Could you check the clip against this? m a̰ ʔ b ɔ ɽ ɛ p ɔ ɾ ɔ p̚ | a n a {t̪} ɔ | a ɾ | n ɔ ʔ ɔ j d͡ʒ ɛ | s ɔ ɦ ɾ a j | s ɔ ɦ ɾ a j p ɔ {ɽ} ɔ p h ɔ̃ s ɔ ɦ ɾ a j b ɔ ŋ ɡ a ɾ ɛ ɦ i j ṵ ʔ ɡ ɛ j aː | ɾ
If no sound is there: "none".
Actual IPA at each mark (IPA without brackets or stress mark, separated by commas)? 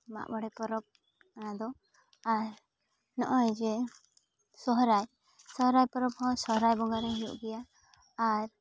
d̪, ɾ